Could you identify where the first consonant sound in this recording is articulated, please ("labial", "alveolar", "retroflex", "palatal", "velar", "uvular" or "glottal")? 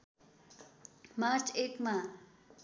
labial